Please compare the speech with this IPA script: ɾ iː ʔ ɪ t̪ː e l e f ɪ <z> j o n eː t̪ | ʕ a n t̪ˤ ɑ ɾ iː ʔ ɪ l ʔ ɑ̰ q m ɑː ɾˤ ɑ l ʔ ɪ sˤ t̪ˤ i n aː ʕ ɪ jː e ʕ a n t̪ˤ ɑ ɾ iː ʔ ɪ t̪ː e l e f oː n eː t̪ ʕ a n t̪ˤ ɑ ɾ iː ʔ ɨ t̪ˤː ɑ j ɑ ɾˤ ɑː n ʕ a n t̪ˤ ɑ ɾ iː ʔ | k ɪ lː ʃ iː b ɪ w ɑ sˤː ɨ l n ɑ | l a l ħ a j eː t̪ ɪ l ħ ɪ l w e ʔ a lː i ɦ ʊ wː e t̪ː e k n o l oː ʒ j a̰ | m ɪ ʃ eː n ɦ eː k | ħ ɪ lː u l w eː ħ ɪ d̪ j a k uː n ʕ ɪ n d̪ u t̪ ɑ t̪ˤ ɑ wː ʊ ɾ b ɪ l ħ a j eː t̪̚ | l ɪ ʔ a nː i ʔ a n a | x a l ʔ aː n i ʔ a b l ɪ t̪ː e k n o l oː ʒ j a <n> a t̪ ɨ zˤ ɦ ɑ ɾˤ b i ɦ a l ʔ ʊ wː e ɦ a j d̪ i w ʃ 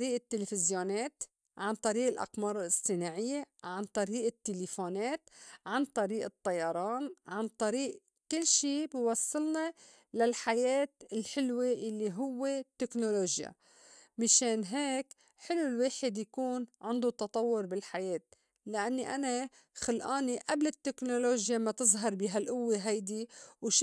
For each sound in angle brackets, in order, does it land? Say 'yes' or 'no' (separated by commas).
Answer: yes, no